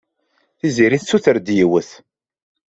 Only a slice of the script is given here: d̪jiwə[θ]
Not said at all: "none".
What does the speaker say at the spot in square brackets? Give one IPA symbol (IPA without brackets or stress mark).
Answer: θ